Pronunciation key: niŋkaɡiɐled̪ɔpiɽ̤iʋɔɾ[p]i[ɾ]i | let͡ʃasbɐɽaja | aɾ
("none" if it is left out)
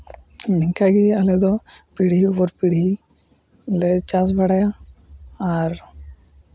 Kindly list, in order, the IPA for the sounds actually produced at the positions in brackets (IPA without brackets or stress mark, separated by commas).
p, ɽ